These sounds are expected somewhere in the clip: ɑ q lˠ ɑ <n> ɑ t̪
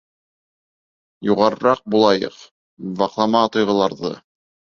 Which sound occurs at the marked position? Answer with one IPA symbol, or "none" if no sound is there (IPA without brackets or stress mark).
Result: m